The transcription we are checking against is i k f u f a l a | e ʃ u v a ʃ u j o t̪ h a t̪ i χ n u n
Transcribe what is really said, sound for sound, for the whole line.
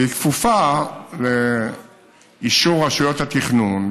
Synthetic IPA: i k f u f a l e | i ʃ u ʁ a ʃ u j o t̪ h a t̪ i χ n u n